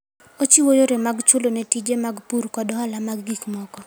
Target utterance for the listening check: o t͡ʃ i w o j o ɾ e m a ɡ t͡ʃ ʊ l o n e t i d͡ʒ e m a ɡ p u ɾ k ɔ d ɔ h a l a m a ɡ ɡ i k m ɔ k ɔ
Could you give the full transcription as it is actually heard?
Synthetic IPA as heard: o t͡ʃ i w o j o ɾ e m a ɡ t͡ʃ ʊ l o n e t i d͡ʒ e m a ɡ p u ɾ k ɔ d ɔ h a l a m a ɡ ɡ i k m ɔ k ɔ